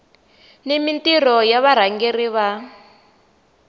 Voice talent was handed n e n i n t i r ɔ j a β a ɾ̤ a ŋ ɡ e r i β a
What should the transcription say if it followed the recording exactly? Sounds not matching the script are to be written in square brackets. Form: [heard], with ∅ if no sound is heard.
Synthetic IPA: n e [m] i n t i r ɔ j a β a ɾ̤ a ŋ ɡ e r i β a